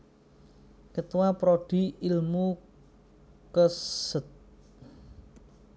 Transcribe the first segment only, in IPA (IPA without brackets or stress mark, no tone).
k